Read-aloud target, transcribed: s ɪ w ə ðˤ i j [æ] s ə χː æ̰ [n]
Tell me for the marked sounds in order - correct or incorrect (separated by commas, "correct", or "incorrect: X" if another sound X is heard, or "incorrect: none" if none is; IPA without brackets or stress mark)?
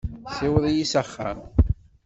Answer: incorrect: i, incorrect: m